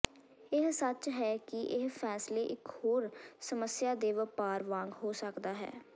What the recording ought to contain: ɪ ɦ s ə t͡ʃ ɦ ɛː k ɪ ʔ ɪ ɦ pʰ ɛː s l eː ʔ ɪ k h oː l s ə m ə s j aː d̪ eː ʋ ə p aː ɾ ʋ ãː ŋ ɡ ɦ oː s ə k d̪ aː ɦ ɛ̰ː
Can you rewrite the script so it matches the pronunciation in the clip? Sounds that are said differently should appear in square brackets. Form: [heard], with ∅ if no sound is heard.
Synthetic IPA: ɪ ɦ s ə t͡ʃ ɦ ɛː k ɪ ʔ ɪ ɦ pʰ ɛː s l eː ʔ ɪ k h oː [ɾ] s ə m ə s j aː d̪ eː ʋ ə p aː ɾ ʋ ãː ŋ ɡ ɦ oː s ə k d̪ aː ɦ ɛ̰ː